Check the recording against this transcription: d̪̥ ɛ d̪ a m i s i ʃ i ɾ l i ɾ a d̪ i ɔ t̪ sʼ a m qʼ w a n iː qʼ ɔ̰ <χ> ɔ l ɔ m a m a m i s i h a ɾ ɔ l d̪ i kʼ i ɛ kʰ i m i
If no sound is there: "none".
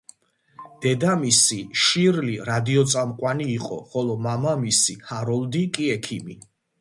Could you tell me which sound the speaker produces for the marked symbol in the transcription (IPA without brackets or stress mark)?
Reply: χ